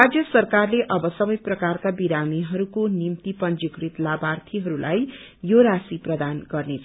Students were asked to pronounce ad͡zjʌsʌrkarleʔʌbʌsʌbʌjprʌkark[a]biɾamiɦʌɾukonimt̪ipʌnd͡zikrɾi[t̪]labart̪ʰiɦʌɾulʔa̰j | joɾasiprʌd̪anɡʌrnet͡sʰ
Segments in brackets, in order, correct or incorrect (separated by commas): correct, correct